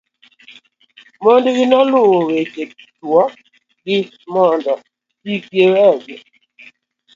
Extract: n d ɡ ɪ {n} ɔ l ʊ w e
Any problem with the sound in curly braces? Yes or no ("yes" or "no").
no